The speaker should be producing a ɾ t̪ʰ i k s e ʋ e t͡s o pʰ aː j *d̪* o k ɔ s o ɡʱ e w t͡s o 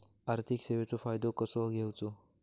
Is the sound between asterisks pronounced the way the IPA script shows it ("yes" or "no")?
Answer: yes